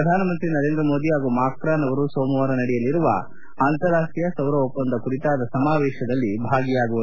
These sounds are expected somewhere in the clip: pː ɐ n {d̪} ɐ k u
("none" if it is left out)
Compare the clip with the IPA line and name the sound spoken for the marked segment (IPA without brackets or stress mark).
d̪